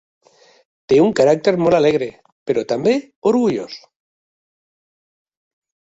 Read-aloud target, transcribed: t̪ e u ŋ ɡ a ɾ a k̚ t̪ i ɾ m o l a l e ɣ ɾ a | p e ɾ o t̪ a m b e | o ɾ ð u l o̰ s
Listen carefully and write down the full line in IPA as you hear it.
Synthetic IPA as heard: t̪ e u ŋ k a ɾ a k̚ t̪ e ɾ m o l a l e ɣ ɾ e | p e ɾ o t̪ a m b e | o ɾ ɣ u ʎ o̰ s